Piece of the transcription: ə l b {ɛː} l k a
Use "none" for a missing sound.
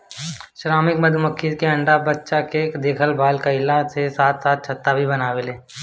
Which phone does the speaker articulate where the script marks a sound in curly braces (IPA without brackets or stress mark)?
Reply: aː